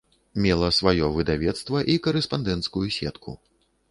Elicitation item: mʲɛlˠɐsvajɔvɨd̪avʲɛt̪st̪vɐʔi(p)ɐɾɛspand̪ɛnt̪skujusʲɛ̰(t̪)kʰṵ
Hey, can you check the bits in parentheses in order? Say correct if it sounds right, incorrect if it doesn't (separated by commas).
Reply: incorrect, correct